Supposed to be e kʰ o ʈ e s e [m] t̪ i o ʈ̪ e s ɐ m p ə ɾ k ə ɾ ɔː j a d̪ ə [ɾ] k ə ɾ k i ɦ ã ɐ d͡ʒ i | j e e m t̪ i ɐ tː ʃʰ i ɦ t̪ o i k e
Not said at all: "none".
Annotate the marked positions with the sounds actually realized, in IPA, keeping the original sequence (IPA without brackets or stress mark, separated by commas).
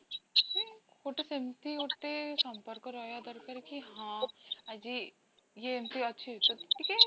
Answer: m, ɾ